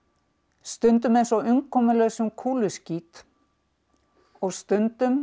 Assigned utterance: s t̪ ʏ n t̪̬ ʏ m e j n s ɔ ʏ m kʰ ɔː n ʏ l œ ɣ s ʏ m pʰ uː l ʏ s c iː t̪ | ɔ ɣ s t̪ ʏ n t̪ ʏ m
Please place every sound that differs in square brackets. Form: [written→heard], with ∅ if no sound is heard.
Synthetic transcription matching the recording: s t̪ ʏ n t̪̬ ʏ m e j n s ɔ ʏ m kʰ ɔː [n→m] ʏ l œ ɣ s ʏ m [pʰ→kʰ] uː l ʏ s c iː t̪ | ɔ ɣ s t̪ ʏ n t̪ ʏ m